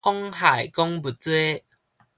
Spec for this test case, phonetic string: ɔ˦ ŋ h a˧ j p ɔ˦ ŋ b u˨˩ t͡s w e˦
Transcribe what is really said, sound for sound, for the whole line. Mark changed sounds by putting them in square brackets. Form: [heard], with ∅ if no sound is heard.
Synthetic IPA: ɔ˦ ŋ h [a˨˩] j [k] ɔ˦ ŋ b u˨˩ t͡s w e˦

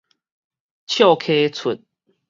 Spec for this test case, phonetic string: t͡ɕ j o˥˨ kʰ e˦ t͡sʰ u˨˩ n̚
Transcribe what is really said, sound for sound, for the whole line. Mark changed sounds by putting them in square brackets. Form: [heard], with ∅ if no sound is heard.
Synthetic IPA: [t͡ɕʰ] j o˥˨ kʰ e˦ t͡sʰ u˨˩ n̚

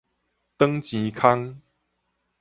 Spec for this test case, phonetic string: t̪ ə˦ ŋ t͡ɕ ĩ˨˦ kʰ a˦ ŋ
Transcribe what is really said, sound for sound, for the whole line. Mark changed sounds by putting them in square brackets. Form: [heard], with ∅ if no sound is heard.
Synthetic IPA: t̪ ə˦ ŋ t͡ɕ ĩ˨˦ kʰ a˦ ŋ

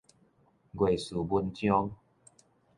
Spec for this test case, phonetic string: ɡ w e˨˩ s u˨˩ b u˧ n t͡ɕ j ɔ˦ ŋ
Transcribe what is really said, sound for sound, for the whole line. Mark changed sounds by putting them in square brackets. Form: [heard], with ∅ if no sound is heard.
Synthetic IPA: ɡ w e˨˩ s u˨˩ b u˧ n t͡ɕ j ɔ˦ ŋ

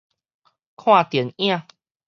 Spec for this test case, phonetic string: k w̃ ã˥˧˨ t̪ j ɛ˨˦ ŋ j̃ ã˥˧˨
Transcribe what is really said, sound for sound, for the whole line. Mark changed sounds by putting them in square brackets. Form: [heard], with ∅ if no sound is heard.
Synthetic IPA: [kʰ] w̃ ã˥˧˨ t̪ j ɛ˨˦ [n] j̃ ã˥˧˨

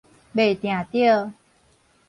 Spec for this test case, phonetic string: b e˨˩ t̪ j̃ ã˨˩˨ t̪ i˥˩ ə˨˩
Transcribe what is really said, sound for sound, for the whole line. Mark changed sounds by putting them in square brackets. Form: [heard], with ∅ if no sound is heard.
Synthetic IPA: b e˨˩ t̪ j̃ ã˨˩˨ t̪ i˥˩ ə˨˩

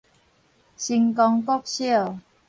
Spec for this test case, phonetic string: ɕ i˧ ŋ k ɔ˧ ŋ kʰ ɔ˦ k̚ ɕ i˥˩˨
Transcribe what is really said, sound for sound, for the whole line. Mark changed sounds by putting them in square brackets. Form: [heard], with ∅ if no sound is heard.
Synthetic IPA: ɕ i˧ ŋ k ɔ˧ ŋ [k] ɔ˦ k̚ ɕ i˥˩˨

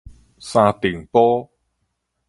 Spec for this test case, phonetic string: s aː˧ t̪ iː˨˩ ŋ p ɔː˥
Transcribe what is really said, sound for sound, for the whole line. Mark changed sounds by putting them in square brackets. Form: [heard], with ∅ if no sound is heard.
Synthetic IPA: s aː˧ t̪ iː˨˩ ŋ p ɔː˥

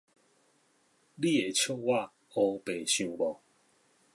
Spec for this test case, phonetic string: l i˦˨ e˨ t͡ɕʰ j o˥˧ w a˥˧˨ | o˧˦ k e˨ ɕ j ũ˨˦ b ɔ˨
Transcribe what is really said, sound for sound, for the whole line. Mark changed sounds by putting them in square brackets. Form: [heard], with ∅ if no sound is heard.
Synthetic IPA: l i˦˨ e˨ t͡ɕʰ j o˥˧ w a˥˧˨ | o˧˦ [p] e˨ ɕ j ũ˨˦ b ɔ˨

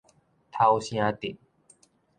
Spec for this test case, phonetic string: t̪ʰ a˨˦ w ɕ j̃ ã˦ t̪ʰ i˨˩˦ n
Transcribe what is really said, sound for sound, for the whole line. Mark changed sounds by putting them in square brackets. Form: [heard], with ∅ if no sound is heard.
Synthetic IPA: t̪ʰ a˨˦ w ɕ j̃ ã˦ [t̪] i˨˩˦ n

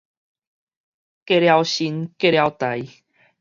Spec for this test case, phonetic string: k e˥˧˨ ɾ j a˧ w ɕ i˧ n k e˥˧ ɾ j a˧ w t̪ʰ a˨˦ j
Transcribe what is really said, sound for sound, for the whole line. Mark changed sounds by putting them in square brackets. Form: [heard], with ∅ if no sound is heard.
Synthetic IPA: k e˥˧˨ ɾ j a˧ w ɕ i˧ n k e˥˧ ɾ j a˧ w [t̪] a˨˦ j

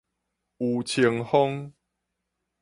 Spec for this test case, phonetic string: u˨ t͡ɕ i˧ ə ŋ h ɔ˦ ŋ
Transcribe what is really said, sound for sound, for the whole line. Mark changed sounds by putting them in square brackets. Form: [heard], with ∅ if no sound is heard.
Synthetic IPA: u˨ [t͡ɕʰ] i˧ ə ŋ h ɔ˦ ŋ

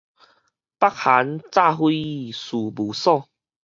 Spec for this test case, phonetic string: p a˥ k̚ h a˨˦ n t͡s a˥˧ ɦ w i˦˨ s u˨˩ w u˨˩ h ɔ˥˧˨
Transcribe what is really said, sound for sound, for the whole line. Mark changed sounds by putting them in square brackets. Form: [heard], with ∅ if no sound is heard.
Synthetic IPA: p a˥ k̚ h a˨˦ n t͡s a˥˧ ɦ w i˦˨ s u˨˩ [b] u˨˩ [s] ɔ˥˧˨

